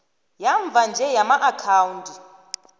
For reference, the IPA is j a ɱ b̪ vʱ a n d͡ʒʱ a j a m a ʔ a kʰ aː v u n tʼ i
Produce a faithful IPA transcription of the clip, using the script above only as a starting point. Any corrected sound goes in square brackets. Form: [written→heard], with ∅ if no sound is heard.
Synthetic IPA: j a ɱ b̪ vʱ a n d͡ʒʱ [a→ɛ] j a m a ʔ a kʰ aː [v→w] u n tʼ i